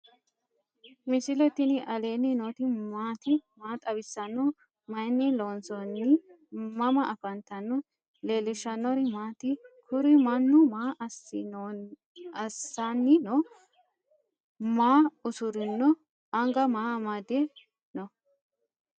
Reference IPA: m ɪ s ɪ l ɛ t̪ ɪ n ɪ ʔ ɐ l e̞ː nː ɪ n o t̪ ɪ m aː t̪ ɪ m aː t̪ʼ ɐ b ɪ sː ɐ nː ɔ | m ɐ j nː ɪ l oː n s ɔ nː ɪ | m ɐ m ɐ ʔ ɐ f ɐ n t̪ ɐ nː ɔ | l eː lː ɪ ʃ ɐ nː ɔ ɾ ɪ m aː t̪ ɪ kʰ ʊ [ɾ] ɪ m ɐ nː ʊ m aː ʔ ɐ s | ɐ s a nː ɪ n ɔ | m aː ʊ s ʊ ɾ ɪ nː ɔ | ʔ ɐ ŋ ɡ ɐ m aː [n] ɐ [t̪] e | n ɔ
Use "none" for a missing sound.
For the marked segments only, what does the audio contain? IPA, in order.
ɾ, m, d̪

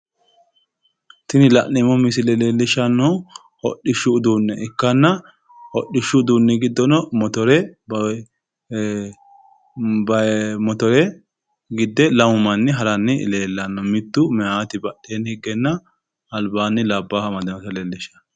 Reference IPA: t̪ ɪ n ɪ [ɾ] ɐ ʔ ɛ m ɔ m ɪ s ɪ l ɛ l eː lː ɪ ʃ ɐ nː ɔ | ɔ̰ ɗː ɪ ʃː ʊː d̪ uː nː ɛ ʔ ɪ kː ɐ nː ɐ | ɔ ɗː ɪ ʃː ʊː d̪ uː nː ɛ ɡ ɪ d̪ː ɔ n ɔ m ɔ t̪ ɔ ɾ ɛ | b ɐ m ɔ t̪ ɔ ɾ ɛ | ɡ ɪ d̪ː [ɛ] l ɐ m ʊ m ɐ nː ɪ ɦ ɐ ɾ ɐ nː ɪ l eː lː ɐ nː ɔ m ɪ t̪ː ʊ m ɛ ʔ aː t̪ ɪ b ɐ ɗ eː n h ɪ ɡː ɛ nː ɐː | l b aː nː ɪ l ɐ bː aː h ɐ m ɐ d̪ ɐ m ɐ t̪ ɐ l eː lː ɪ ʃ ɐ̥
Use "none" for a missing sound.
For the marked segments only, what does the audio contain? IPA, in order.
l, ɛ

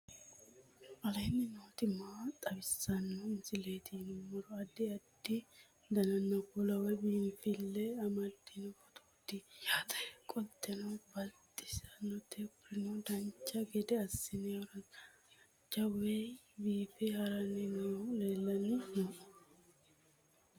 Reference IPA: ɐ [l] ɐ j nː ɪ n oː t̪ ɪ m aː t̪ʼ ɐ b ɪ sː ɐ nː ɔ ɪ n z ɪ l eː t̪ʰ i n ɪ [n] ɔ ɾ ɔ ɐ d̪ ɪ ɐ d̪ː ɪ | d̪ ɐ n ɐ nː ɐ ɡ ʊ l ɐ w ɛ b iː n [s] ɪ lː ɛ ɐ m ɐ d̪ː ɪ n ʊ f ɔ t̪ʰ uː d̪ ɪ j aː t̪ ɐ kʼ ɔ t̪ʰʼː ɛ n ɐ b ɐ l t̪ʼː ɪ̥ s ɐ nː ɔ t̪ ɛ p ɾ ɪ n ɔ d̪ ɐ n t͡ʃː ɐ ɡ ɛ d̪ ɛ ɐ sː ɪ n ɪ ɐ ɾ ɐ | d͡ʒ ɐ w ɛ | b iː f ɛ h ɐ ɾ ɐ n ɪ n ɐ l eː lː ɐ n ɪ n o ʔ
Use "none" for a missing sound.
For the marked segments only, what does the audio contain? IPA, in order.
l, m, f

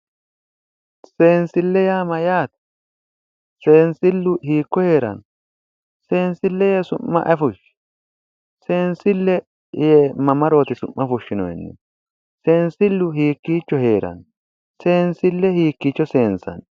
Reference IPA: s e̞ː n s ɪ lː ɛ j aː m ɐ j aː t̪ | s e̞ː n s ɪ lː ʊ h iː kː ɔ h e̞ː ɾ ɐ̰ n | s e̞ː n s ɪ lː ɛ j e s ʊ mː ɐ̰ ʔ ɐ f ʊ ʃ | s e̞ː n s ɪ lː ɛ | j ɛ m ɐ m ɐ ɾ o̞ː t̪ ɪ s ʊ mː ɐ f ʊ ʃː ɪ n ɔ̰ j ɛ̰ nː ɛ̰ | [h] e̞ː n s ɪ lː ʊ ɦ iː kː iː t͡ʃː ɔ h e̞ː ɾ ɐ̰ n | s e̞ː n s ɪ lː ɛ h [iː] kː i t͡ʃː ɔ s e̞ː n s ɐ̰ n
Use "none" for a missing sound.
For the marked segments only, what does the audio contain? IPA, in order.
s, iː

